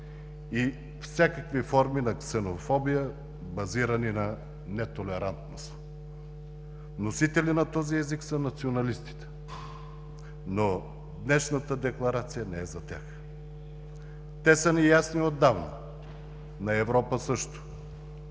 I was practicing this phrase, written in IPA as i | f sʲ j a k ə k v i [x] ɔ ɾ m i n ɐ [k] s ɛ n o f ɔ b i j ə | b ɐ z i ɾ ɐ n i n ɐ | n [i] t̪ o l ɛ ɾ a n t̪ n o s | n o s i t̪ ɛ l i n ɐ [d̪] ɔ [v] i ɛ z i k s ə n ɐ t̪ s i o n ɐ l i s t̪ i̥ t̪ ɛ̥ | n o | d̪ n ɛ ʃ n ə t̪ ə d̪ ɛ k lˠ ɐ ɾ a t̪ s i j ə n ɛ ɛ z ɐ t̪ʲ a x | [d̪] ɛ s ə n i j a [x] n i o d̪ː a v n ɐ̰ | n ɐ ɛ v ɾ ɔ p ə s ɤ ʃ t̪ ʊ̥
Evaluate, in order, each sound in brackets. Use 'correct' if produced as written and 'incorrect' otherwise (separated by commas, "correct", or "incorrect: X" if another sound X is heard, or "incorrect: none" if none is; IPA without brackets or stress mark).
incorrect: f, correct, incorrect: ɛ, incorrect: t̪, incorrect: z, incorrect: t̪, incorrect: s